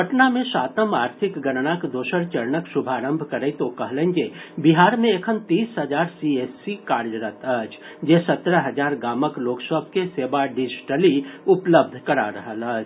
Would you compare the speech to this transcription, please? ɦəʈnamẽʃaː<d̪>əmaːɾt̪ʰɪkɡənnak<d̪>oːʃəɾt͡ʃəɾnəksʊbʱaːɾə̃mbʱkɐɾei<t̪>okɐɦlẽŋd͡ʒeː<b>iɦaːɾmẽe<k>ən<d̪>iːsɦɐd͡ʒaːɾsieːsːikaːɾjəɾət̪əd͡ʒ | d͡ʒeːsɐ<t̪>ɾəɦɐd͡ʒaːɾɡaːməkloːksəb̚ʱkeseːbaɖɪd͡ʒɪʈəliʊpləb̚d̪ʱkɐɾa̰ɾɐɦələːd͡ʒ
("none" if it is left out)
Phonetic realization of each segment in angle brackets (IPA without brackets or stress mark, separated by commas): t̪, d̪, t̪, b, kʰ, t̪, t̪